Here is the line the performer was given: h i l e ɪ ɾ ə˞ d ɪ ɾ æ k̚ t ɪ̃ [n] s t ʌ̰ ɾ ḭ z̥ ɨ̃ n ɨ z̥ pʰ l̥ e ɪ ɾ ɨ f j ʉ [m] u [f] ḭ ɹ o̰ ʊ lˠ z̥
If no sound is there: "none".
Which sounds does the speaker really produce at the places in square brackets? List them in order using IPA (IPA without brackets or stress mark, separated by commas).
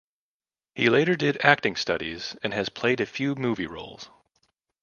ŋ, m, v